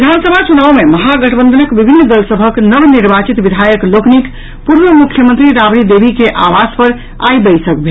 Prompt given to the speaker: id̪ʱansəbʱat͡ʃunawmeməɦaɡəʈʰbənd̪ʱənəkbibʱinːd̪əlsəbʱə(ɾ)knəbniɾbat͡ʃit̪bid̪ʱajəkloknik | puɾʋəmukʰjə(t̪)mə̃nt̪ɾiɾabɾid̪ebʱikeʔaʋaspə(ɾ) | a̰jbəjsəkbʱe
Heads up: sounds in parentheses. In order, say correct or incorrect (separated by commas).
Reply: incorrect, incorrect, correct